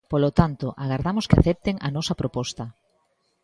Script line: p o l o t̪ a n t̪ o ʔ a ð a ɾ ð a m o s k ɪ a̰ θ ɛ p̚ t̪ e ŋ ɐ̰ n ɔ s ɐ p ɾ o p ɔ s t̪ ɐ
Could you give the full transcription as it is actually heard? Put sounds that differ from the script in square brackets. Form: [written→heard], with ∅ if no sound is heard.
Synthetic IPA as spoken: p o l o t̪ a n t̪ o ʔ a [ð→ɣ] a ɾ ð a m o s k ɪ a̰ θ ɛ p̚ t̪ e ŋ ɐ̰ n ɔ s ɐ p ɾ o p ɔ s t̪ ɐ

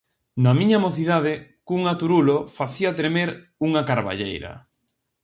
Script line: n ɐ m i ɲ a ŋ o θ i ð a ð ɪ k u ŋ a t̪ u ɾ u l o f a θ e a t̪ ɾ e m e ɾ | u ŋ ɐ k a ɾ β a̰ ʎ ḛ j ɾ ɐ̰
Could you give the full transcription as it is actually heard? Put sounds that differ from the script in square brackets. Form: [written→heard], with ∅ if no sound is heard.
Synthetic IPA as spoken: n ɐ m i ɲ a [ŋ→m] o θ i ð a ð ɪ k u ŋ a t̪ u ɾ u l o f a θ [e→i] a t̪ ɾ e m e ɾ | u ŋ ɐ k a ɾ β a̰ ʎ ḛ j ɾ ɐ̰

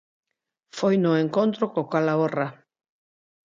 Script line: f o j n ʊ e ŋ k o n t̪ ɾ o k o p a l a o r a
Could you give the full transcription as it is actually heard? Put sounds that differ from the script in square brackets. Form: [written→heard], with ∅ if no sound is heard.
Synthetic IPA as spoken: f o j n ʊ e ŋ k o n t̪ ɾ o k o [p→k] a l a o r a

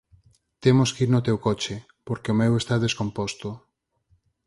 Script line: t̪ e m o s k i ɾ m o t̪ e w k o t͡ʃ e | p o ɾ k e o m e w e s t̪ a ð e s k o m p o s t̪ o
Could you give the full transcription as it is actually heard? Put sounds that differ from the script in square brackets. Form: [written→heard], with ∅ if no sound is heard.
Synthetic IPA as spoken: t̪ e m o s k i ɾ [m→n] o t̪ e w k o t͡ʃ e | p o ɾ k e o m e w e s t̪ a ð e s k o m p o s t̪ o

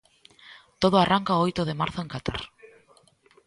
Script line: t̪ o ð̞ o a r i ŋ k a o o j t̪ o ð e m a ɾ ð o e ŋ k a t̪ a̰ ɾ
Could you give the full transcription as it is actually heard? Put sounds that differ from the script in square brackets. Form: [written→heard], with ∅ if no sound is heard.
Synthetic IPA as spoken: t̪ o ð̞ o a r [i→a] ŋ k a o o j t̪ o ð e m a ɾ [ð→θ] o e ŋ k a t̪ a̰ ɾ

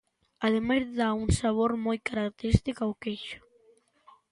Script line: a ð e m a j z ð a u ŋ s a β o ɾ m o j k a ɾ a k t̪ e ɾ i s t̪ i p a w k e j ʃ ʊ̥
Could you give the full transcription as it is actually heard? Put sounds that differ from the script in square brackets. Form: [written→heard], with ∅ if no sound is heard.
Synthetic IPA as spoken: a ð e m a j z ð a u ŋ s a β o ɾ m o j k a ɾ a k t̪ e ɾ i s t̪ i [p→k] a w k e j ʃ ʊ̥

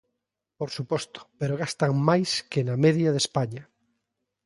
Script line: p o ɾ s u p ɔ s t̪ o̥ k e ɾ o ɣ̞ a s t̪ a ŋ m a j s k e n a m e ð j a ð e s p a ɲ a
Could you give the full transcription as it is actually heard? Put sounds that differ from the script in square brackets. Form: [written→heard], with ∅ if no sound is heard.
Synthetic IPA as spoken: p o ɾ s u p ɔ s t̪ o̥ [k→p] e ɾ o ɣ̞ a s t̪ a ŋ m a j s k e n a m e ð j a ð e s p a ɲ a

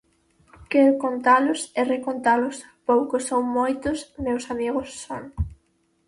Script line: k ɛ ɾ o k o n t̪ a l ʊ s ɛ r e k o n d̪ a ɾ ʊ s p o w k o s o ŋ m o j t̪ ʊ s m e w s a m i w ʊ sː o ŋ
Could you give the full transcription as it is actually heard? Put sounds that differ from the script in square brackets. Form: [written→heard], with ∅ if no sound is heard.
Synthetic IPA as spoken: k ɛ ɾ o k o n t̪ a l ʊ s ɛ r e k o n [d̪→t̪] a [ɾ→l] ʊ s p o w k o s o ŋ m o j t̪ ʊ s m e w s a m i [w→ɣ] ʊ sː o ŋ

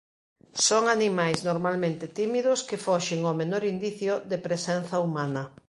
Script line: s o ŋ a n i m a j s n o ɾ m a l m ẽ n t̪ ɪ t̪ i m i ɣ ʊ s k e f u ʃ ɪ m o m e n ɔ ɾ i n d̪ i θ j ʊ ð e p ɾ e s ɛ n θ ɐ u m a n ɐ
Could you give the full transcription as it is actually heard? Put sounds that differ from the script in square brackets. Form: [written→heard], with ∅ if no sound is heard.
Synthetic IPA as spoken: s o ŋ a n i m a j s n o ɾ m a l m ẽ n t̪ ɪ t̪ i m i [ɣ→ð] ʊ s k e f [u→ɔ] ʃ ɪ [m→ŋ] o m e n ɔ ɾ i n d̪ i θ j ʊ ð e p ɾ e s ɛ n θ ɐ u m a n ɐ

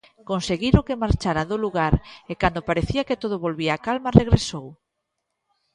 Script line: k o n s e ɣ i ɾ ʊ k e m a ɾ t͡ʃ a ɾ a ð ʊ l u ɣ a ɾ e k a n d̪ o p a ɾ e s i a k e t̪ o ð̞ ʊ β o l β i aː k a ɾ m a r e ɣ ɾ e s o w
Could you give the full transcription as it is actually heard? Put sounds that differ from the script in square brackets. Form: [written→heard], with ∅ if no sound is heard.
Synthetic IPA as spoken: k o n s e ɣ i ɾ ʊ k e m a ɾ t͡ʃ a ɾ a ð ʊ l u ɣ a ɾ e k a n d̪ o p a ɾ e [s→θ] i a k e t̪ o ð̞ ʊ β o l β i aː k a [ɾ→l] m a r e ɣ ɾ e s o w

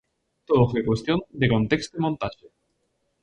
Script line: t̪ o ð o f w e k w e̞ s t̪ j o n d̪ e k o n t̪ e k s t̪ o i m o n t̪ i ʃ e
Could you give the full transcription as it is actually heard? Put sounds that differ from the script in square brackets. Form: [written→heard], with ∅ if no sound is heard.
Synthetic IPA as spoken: t̪ o ð o f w e k w e̞ s t̪ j o n d̪ e k o n t̪ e k s t̪ o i m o n t̪ [i→a] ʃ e

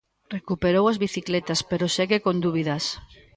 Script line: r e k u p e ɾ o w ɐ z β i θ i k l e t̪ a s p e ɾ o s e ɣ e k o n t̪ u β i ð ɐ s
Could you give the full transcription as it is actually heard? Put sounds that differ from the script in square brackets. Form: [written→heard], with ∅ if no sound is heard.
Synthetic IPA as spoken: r e k u p e ɾ o w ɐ z β i θ i k l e t̪ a s p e ɾ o s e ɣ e k o n [t̪→d̪] u β i ð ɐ s

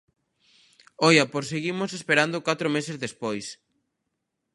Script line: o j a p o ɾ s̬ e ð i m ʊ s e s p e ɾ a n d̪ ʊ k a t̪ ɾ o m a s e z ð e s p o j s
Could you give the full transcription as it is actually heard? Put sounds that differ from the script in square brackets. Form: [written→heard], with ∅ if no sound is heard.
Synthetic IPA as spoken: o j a p o ɾ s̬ e [ð→ɣ] i m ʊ s e s p e ɾ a n d̪ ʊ k a t̪ ɾ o m [a→e] s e z ð e s p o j s

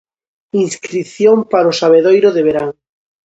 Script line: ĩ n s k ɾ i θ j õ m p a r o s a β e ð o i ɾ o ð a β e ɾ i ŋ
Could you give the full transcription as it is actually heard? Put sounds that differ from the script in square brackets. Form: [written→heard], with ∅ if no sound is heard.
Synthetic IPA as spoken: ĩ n s k ɾ i θ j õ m p a [r→ɾ] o s a β e ð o [i→j] ɾ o ð [a→e] β e ɾ [i→a] ŋ

